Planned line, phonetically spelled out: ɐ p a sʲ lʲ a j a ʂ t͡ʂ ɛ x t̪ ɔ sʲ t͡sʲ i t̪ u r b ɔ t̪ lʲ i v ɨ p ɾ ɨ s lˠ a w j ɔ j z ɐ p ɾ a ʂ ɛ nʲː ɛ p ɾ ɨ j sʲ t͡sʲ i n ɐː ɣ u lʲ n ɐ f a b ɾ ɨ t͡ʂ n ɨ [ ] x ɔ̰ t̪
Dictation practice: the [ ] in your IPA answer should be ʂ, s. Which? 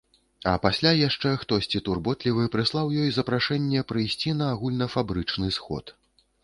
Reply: s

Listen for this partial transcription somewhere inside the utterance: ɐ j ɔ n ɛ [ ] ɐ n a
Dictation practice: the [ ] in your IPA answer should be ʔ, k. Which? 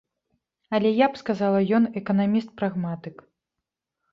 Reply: k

